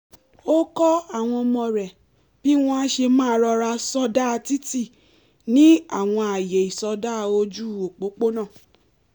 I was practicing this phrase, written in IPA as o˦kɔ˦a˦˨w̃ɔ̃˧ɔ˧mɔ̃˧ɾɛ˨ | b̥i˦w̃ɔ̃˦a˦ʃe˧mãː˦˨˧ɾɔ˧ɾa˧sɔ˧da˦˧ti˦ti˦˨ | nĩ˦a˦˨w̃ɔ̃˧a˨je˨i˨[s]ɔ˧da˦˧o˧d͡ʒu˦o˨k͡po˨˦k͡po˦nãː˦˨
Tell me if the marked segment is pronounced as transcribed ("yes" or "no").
yes